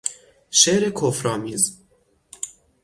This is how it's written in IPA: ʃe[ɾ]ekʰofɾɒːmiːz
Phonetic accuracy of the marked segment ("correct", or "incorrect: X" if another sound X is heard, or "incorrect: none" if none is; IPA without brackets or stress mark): correct